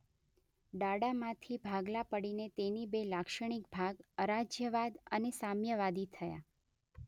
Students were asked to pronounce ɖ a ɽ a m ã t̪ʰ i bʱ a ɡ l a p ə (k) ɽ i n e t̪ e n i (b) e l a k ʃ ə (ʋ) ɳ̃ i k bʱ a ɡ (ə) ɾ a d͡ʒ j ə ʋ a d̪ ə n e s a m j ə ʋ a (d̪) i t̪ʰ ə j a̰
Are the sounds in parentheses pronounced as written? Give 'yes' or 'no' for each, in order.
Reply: no, yes, no, yes, yes

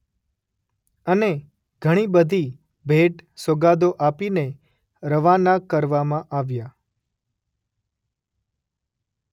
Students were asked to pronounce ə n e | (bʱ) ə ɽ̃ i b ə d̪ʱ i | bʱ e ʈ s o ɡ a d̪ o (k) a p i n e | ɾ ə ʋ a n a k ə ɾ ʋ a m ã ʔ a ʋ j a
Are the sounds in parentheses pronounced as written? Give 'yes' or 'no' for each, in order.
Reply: no, no

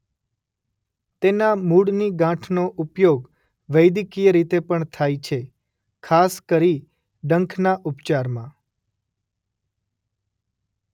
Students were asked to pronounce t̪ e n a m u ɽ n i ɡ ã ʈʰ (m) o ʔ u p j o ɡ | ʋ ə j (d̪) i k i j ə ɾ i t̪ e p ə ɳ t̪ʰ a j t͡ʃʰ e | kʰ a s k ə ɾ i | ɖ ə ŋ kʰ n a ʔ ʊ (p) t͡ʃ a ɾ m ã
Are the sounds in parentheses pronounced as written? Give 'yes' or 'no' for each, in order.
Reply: no, yes, yes

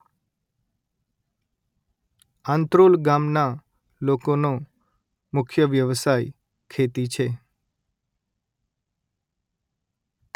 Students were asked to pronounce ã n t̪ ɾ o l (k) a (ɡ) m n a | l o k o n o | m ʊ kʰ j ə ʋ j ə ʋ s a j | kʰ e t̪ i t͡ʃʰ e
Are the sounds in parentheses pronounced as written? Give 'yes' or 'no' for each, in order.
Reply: no, no

